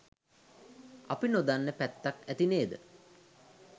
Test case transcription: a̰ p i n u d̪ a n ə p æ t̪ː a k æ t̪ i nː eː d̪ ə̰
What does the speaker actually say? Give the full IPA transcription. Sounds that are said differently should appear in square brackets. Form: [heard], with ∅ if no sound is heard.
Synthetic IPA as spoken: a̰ p i n [o] d̪ a [nː] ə p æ t̪ː a k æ t̪ i [n] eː d̪ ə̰